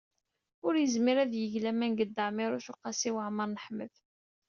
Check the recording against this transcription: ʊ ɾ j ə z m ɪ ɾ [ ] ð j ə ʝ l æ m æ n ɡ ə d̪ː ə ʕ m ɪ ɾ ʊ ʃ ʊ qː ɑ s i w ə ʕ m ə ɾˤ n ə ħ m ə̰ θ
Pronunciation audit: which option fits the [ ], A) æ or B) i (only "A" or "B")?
A